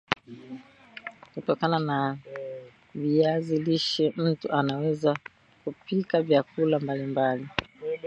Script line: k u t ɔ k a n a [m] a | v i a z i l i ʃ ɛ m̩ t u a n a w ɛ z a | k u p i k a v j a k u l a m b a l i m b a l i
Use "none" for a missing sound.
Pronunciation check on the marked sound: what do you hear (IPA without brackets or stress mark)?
n